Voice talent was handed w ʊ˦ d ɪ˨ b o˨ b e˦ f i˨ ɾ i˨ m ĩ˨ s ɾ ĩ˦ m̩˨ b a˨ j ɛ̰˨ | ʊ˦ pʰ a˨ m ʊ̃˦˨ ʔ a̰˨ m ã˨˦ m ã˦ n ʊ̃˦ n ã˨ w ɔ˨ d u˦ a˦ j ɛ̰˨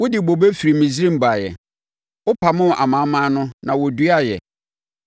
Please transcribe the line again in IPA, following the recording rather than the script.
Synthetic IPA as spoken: w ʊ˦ d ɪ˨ b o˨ b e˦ f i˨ ɾ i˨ m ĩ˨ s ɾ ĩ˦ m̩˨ b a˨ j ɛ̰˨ | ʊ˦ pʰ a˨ m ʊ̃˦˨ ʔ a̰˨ m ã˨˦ m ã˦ n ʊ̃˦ n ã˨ w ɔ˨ d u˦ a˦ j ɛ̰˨

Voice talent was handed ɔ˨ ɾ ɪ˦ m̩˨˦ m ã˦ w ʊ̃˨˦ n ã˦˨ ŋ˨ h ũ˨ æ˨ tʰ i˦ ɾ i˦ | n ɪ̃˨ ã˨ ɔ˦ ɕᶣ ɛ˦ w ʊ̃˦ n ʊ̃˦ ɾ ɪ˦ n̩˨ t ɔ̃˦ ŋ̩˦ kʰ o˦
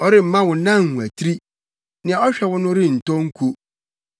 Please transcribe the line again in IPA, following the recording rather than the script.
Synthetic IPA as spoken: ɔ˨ ɾ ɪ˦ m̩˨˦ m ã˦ w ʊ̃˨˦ n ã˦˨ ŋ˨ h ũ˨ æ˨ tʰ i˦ ɾ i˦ | n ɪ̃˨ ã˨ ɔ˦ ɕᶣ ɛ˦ w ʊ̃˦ n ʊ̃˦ ɾ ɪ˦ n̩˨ t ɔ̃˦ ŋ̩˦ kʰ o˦

